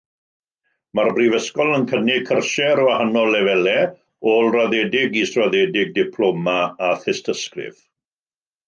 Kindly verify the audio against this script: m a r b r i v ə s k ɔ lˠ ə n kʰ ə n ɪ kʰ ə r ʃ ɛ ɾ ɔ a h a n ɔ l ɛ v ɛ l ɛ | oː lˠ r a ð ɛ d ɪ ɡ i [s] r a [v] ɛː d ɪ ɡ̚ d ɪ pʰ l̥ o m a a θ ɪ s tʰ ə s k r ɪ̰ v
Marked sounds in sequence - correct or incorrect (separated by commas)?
correct, incorrect